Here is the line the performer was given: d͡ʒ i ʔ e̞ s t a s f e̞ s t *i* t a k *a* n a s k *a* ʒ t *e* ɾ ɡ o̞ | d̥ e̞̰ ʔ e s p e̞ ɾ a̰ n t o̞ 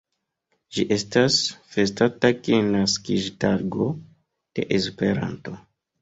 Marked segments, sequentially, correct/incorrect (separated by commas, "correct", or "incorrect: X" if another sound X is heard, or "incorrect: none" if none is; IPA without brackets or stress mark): incorrect: a, incorrect: e, incorrect: i, incorrect: a